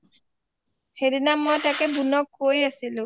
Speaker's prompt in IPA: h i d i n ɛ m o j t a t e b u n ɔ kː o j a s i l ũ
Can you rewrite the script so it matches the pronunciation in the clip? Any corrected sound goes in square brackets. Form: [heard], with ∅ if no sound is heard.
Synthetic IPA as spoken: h [e] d i n [a] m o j t a [k] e b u n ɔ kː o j a s i l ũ